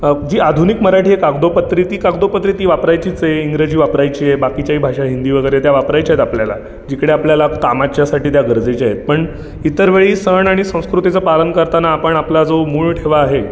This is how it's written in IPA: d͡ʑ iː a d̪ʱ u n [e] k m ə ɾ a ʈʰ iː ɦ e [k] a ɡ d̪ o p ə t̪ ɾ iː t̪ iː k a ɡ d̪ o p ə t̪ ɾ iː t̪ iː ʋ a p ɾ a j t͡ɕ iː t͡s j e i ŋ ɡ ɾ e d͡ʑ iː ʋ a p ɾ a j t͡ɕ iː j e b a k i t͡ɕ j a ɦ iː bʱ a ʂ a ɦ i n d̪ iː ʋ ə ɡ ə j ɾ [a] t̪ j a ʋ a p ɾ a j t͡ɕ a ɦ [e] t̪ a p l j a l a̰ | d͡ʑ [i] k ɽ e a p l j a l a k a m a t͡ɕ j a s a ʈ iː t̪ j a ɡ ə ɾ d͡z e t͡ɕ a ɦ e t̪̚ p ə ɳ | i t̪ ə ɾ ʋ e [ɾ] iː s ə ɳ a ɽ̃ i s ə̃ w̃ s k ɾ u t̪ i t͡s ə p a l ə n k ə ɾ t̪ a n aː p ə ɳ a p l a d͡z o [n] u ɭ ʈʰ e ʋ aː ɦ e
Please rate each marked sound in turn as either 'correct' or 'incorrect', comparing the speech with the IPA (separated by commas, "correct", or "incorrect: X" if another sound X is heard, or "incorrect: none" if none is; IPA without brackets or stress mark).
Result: incorrect: i, correct, incorrect: e, correct, correct, incorrect: ɭ, incorrect: m